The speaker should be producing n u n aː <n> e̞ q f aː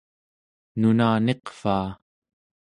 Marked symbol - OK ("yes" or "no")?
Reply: yes